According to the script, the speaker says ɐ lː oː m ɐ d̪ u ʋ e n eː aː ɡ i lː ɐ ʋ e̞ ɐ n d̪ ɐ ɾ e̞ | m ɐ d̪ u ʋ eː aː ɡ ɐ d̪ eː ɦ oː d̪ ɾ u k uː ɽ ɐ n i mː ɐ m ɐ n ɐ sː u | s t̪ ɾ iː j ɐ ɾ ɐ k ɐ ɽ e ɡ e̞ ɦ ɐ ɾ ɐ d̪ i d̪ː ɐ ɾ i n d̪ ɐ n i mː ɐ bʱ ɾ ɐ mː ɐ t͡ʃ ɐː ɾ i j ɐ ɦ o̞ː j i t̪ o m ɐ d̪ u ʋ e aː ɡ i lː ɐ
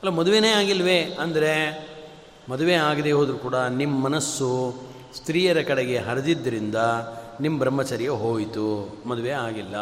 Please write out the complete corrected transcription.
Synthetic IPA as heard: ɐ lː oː m ɐ d̪ u ʋ e n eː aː ɡ i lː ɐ ʋ e̞ ɐ n d̪ ɐ ɾ e̞ | m ɐ d̪ u ʋ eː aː ɡ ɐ d̪ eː ɦ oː d̪ ɾ u k uː ɽ ɐ n i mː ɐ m ɐ n ɐ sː u | s t̪ ɾ iː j ɐ ɾ ɐ k ɐ ɽ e ɡ e̞ ɦ ɐ ɾ ɐ d̪ i d̪ː ɐ ɾ i n d̪ ɐ n i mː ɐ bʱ ɾ ɐ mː ɐ t͡ʃ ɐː ɾ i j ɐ ɦ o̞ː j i t̪ u m ɐ d̪ u ʋ e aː ɡ i lː ɐ